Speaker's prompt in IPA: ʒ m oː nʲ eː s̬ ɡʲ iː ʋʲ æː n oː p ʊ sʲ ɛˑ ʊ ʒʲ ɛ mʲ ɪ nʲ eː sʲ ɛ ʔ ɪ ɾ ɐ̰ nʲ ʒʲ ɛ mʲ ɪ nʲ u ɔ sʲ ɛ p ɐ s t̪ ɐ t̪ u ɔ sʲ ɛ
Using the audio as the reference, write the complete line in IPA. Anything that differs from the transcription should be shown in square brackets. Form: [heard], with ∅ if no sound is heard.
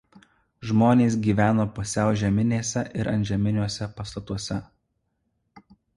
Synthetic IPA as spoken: ʒ m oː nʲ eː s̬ ɡʲ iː ʋʲ æː n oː p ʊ sʲ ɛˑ ʊ ʒʲ ɛ mʲ ɪ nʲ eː sʲ ɛ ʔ ɪ ɾ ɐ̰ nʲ ʒʲ ɛ mʲ ɪ nʲ u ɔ sʲ ɛ p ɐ s t̪ ɐ t̪ u ɔ sʲ ɛ